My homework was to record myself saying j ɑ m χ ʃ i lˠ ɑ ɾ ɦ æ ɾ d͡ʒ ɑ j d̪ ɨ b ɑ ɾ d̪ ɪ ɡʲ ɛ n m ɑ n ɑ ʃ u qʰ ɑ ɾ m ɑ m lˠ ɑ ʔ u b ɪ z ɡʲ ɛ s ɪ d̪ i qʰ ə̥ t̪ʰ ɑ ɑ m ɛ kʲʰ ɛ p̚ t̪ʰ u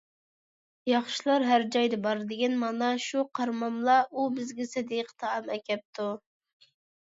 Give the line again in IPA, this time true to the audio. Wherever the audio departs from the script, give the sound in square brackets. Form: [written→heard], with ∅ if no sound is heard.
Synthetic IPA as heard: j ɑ [m→∅] χ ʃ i lˠ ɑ ɾ ɦ æ ɾ d͡ʒ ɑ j d̪ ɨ b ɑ ɾ d̪ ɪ ɡʲ ɛ n m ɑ n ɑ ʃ u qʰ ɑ ɾ m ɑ m lˠ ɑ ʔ u b ɪ z ɡʲ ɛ s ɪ d̪ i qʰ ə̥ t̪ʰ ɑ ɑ m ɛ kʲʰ ɛ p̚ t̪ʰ u